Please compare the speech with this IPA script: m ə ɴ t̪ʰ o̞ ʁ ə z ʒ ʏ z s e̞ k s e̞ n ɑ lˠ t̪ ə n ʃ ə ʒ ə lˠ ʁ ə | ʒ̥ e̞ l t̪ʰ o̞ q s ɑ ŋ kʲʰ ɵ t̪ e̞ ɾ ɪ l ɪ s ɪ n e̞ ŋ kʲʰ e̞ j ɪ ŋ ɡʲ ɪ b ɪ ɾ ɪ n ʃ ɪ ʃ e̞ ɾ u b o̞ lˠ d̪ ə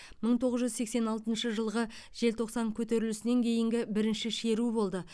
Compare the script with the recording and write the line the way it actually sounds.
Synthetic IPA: m ə ɴ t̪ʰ o̞ ʁ ə z ʒ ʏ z s e̞ k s e̞ n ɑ lˠ t̪ ə n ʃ ə ʒ ə lˠ ʁ ə | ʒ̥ e̞ l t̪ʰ o̞ q s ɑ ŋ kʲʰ ɵ t̪ e̞ ɾ ɪ l ɪ s ɪ n e̞ ŋ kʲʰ e̞ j ɪ ŋ ɡʲ ɪ b ɪ ɾ ɪ n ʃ ɪ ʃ e̞ ɾ u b o̞ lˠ d̪ ə